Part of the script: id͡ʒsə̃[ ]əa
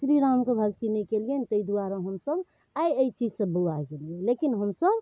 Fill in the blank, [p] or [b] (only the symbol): b